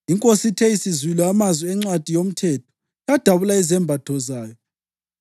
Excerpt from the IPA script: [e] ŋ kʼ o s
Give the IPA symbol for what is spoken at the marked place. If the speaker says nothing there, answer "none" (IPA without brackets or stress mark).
i